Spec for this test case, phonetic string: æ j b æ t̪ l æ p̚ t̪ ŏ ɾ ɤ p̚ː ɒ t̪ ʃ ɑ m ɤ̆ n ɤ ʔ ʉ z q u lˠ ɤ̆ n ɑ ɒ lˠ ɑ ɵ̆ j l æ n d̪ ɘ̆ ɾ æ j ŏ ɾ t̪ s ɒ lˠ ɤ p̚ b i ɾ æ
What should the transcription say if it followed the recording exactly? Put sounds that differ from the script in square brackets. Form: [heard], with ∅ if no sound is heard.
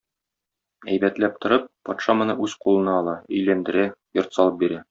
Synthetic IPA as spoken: æ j b æ t̪ l æ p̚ t̪ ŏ ɾ ɤ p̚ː ɒ t̪ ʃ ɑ m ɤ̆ n ɤ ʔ ʉ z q u lˠ ɤ̆ n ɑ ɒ lˠ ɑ ɵ̆ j l æ n d̪ ɘ̆ ɾ æ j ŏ ɾ t̪ s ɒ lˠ ɤ p̚ b i ɾ æ